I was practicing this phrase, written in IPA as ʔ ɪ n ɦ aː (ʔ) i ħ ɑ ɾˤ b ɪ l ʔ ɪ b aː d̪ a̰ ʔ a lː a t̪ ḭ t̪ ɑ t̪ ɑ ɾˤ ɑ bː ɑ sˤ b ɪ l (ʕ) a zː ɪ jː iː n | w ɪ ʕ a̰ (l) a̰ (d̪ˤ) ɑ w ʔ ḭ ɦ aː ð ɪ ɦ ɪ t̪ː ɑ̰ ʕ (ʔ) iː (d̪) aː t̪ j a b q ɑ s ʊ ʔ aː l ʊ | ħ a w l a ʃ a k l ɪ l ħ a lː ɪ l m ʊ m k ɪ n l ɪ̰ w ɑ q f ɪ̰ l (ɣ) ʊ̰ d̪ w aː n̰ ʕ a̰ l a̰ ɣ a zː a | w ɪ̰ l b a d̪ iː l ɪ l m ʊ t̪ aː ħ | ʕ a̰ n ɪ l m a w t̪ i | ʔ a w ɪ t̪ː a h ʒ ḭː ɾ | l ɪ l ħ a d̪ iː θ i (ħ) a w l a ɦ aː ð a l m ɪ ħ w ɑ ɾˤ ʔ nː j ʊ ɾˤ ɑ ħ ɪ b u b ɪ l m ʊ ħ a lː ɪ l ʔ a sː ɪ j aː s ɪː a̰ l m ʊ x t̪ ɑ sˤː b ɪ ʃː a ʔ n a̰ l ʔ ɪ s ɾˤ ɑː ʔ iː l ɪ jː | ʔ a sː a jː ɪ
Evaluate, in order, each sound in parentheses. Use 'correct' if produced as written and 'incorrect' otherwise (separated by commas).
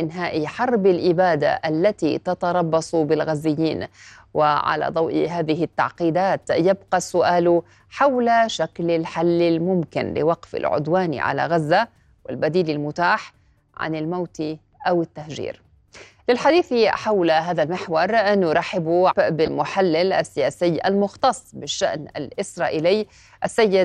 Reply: correct, incorrect, correct, correct, incorrect, correct, incorrect, correct